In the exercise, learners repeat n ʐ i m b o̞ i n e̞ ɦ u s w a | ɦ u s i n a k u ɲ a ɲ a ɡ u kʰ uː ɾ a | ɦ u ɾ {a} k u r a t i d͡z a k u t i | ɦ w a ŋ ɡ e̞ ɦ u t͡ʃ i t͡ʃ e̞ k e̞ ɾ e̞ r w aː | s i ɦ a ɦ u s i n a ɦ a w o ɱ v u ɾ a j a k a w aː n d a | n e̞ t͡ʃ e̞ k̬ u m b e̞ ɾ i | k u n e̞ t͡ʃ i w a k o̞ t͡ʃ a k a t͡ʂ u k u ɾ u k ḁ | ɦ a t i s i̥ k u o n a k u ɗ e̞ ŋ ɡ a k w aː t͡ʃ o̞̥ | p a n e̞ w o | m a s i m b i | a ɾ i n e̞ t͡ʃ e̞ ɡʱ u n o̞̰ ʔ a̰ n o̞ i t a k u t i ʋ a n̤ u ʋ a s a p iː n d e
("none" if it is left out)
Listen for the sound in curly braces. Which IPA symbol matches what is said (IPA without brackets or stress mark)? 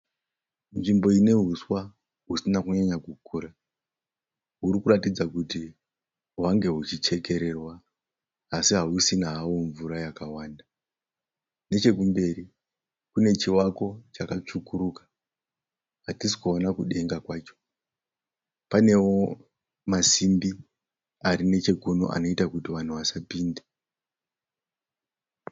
i